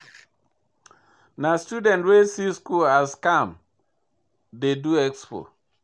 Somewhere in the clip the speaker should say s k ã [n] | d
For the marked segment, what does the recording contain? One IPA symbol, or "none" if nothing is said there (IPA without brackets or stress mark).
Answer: m